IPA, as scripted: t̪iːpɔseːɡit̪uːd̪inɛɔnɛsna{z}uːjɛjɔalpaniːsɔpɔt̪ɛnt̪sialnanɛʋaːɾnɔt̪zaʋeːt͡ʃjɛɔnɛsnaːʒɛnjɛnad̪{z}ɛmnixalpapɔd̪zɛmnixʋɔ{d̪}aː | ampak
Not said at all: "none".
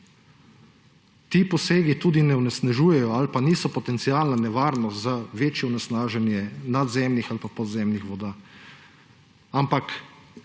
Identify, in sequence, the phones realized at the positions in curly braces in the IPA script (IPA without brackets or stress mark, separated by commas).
ʒ, z, d̪